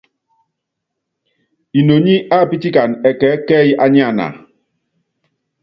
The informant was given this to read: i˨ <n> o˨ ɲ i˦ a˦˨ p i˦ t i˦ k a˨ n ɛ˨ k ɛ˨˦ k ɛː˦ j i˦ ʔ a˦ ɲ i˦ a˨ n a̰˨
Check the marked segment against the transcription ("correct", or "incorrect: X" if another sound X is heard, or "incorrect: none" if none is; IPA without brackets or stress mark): correct